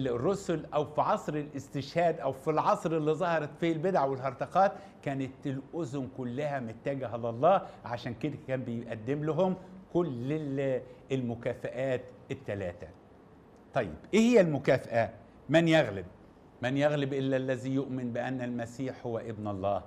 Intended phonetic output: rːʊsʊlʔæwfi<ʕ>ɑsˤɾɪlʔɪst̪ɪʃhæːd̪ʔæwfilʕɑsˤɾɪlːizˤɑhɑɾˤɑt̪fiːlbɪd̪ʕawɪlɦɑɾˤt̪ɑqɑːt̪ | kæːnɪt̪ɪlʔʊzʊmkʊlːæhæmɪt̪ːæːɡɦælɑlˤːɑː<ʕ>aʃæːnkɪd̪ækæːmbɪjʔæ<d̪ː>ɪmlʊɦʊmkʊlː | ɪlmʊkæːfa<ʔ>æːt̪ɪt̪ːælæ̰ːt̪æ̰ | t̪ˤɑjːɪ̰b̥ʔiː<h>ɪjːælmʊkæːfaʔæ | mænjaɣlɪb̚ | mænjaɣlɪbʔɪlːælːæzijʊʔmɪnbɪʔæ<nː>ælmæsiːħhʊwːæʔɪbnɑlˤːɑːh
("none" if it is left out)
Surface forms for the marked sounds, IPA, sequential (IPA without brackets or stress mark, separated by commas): ʕ, ʕ, d̪ː, ʔ, h, nː